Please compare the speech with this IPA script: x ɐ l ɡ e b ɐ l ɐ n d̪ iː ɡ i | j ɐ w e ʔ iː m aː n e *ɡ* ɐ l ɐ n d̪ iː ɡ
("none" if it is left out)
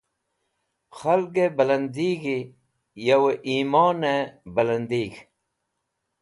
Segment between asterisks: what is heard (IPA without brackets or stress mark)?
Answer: b